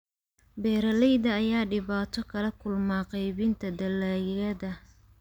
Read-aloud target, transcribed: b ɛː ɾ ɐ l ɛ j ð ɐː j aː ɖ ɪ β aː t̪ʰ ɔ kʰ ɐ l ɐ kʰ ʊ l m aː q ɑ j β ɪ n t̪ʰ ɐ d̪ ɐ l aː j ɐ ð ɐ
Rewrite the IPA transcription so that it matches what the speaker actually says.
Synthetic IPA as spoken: b ɛː ɾ ɐ l ɛ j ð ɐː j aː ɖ ɪ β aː t̪ʰ ɔ kʰ ɐ l ɐ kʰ ʊ l m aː q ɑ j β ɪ n t̪ʰ ɐ d̪ ɐ l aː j ɐ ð ɐ

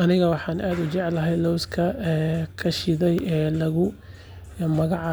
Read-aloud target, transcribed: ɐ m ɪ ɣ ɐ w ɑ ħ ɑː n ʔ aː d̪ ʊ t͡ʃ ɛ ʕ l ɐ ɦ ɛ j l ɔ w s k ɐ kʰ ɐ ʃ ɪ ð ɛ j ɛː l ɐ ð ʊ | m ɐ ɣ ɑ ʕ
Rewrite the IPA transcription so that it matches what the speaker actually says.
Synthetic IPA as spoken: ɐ n ɪ ɣ ɐ w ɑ ħ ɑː n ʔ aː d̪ ʊ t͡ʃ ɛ ʕ l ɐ ɦ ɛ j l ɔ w s kʰ ɐ kʰ ɐ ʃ ɪ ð ɛ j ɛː l ɐ ɣ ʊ | m ɐ ɣ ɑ ʕ

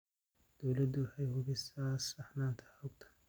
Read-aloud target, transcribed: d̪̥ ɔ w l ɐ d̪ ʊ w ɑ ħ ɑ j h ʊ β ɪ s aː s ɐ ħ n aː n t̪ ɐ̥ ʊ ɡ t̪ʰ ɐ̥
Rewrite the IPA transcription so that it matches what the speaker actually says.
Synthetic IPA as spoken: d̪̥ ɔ w l ɐ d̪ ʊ w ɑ ħ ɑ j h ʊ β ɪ s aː s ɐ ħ n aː n t̪ʰ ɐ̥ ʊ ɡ t̪ʰ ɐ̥

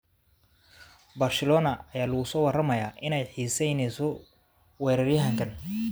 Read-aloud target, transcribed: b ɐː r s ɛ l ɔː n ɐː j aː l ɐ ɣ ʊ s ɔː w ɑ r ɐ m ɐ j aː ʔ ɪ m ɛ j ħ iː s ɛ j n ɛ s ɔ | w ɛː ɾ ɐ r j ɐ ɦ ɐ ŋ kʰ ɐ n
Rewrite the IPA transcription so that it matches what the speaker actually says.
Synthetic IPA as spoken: b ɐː r s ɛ l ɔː n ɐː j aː l ɐ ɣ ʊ s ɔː w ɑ r ɐ m ɐ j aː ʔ ɪ n ɛ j ħ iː s ɛ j n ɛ s ɔ | w ɛː ɾ ɐ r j ɐ ɦ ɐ ŋ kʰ ɐ n

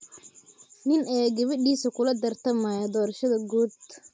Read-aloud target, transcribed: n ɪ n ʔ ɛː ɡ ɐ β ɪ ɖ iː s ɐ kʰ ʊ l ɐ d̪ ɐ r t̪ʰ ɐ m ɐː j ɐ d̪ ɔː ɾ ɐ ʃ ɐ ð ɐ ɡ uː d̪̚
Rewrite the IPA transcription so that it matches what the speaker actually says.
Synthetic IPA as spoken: n ɪ n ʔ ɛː ɡ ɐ β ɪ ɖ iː s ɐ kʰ ʊ l ɐ d̪ ɐ r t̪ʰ ɐ m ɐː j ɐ d̪ ɔː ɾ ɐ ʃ ɐ ð ɐ ɡ uː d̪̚

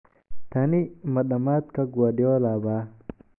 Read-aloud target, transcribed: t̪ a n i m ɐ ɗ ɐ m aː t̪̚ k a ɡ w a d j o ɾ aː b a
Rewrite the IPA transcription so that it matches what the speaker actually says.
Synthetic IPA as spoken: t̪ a n i m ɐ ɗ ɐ m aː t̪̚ k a ɡ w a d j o l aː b a

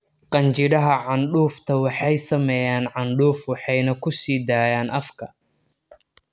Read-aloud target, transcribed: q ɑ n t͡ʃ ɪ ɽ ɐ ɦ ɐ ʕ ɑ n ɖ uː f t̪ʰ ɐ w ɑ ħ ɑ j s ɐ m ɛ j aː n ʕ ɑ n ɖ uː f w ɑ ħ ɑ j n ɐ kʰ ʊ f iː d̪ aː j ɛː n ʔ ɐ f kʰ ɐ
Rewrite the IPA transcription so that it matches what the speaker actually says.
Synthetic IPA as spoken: q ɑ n t͡ʃ ɪ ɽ ɐ ɦ ɐ ʕ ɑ n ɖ uː f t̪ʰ ɐ w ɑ ħ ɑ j s ɐ m ɛ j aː n ʕ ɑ n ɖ uː f w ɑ ħ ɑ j n ɐ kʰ ʊ s iː d̪ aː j aː n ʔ ɐ f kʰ ɐ

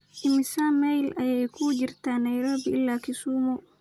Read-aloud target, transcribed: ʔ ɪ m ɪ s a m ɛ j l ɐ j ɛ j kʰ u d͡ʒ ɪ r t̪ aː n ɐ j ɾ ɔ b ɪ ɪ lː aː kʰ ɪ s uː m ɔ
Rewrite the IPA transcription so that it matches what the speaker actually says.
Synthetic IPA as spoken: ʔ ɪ m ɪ s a m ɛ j l ɐ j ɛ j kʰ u d͡ʒ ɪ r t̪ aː n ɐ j ɾ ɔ b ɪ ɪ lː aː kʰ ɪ s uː m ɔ

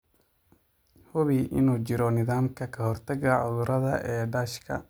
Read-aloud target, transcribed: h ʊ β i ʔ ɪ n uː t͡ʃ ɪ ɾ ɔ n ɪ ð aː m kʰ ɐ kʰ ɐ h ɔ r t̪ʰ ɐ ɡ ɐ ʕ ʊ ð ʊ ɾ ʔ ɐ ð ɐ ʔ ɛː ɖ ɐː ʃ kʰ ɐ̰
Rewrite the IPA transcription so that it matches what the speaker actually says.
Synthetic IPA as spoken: h ʊ β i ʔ ɪ n uː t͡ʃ ɪ ɾ ɔ n ɪ ð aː m kʰ ɐ kʰ ɐ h ɔ r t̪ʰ ɐ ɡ ɐ ʕ ʊ ð ʊ ɾ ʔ ɐ ð ɐ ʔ ɛː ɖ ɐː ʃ kʰ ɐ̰

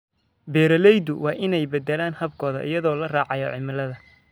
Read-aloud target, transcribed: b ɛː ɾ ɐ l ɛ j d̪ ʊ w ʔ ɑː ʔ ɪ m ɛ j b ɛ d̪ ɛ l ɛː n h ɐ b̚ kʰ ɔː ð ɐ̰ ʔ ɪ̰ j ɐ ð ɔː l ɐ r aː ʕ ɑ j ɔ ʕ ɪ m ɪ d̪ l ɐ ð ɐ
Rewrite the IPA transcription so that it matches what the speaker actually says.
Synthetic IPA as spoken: b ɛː ɾ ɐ l ɛ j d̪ ʊ w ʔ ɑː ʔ ɪ n ɛ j b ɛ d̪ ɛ l aː n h ɐ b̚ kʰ ɔː ð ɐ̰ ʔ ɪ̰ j ɐ ð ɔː l ɐ r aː ʕ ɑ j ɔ ʕ ɪ m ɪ l ɐ ð ɐ

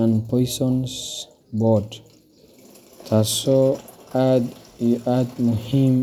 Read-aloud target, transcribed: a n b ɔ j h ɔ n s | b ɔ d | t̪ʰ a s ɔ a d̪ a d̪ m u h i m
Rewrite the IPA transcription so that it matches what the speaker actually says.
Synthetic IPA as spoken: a n p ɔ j s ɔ n s | b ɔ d | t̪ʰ a s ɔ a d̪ a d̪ m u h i m

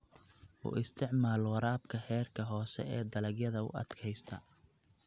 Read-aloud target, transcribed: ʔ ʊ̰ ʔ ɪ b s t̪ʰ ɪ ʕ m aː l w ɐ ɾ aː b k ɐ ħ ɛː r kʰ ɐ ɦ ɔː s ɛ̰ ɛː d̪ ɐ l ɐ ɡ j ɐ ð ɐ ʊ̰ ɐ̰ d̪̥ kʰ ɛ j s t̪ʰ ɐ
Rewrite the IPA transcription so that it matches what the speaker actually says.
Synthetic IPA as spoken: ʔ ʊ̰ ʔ ɪ s t̪ʰ ɪ ʕ m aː l w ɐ ɾ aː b kʰ ɐ ħ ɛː r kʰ ɐ ɦ ɔː s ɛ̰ ɛː d̪ ɐ l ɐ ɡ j ɐ ð ɐ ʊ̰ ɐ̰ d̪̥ kʰ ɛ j s t̪ʰ ɐ

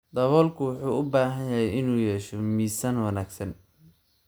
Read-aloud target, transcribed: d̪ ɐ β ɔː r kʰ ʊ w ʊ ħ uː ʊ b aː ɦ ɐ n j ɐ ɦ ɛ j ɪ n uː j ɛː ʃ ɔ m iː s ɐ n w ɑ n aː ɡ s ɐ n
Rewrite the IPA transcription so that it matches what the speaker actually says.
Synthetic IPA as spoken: d̪ ɐ β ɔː l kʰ ʊ w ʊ ħ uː ʊ b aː ɦ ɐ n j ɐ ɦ ɛ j ɪ n uː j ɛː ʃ ɔ m iː s ɐ n w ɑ n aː ɡ s ɐ n

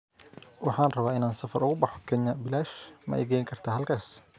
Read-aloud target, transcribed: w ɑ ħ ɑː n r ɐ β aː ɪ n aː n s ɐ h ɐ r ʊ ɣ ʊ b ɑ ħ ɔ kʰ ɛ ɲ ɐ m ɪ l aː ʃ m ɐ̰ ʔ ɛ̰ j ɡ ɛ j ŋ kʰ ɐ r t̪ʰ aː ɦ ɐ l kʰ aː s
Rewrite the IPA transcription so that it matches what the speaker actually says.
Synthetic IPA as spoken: w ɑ ħ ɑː n r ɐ β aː ɪ n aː n s ɐ f ɐ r ʊ ɣ ʊ b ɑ ħ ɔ kʰ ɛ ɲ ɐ b ɪ l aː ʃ m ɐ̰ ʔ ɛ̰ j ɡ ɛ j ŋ kʰ ɐ r t̪ʰ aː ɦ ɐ l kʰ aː s

